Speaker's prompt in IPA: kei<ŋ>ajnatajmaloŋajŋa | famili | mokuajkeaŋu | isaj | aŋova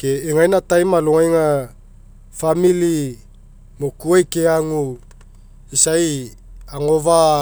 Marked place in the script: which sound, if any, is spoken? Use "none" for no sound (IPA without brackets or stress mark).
ŋ